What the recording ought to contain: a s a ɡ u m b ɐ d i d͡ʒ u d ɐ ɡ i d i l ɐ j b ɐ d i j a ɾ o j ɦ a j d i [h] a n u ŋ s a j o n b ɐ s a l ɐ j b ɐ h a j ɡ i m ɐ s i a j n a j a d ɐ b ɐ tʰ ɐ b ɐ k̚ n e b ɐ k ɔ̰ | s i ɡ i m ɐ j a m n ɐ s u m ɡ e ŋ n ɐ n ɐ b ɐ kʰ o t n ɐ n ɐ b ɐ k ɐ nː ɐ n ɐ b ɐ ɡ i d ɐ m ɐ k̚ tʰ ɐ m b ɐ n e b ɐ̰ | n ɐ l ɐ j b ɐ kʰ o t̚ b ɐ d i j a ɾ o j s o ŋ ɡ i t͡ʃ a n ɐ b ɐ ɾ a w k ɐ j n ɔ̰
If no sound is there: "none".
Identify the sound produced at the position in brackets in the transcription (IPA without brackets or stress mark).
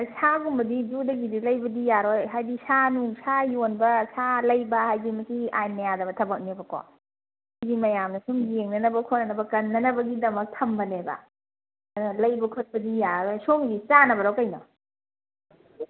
s